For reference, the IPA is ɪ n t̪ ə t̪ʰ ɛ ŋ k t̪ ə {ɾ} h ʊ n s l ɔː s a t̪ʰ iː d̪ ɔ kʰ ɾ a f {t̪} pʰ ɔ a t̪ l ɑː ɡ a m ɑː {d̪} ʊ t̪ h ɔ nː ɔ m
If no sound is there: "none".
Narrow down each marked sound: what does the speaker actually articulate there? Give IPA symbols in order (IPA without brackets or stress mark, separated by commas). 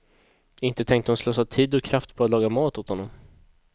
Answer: none, t̪, t̪